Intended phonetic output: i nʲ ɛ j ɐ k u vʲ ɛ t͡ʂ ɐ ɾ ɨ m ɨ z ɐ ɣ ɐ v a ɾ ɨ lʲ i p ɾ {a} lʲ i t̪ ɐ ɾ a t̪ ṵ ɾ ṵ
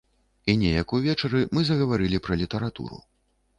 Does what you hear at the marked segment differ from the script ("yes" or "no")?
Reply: yes